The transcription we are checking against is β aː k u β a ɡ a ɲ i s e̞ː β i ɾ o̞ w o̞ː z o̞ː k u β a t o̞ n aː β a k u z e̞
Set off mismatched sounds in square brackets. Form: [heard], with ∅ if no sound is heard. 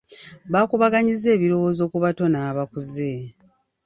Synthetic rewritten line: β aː k u β a ɡ a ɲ i [z] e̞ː β i ɾ o̞ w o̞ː z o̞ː k u β a t o̞ n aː β a k u z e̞